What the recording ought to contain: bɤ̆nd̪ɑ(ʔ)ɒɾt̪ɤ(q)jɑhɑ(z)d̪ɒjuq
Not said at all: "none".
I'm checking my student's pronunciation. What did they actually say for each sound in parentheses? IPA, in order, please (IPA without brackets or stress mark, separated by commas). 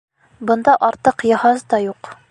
ʔ, q, z